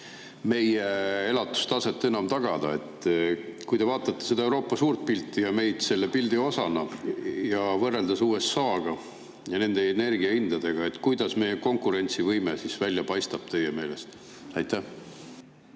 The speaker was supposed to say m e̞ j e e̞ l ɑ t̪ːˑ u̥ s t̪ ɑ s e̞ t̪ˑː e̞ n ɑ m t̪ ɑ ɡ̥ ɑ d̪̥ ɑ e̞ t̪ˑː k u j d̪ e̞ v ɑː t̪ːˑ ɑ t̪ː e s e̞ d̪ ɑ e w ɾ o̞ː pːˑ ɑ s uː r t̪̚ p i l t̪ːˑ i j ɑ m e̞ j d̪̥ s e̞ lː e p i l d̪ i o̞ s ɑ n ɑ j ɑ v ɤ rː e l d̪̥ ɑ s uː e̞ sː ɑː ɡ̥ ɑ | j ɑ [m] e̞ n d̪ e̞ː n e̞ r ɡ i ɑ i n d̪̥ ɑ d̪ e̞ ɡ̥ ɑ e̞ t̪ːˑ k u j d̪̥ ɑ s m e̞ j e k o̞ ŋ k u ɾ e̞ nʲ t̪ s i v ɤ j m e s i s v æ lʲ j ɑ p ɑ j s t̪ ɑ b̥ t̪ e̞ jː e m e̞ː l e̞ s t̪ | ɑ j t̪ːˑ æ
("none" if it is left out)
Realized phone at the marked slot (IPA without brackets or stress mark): n